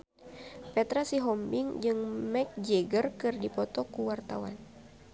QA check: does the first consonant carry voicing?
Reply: no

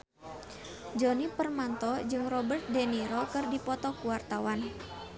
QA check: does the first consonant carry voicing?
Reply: yes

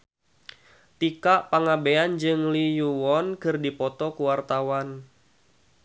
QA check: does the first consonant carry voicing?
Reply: no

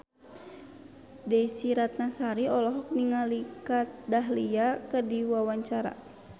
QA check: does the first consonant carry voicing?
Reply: yes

